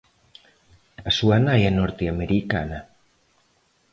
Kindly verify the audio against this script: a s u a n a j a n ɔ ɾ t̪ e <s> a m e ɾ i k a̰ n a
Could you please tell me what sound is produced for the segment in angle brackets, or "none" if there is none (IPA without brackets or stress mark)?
none